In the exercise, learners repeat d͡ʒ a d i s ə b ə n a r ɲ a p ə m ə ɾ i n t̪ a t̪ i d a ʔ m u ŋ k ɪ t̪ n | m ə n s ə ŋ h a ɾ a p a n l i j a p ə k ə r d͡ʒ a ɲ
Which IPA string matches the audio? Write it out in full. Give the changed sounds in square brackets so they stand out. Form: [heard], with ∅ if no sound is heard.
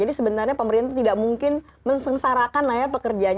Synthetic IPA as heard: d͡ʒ a d i s ə b ə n a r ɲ a p ə m ə ɾ i n t̪ a t̪ i d a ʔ m u ŋ k ɪ [∅] n | m ə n s ə ŋ [s] a ɾ a [k] a n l [a] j a p ə k ə r d͡ʒ a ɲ